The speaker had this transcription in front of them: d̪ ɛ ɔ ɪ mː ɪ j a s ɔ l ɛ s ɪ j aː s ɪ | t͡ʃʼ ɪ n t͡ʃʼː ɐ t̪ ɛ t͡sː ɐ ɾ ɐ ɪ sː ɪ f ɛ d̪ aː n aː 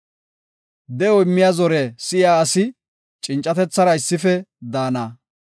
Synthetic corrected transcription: d̪ ɛ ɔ ɪ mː ɪ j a z ɔ ɾ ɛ s ɪ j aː s ɪ | t͡ʃʼ ɪ n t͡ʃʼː ɐ t̪ ɛ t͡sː ɐ ɾ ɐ ɪ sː ɪ f ɛ d̪ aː n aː